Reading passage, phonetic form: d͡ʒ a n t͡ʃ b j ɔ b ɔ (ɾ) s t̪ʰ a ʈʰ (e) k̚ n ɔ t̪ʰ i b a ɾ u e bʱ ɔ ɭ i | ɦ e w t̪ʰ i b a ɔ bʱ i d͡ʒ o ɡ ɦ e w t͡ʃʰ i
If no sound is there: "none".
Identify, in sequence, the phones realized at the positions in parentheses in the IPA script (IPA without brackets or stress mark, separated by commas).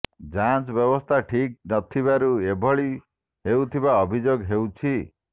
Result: none, i